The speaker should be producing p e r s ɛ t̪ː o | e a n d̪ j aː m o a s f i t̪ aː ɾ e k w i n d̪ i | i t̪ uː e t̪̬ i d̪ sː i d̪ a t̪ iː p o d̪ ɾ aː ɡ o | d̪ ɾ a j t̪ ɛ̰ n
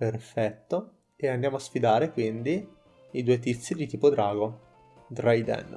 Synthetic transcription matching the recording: p e r f ɛ t̪ː o | e a n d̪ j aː m o a s f i d̪ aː ɾ e k w i n d̪ i | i d̪ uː e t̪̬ i t̪ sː i d̪ i t̪ iː p o d̪ ɾ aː ɡ o | d̪ ɾ a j d̪ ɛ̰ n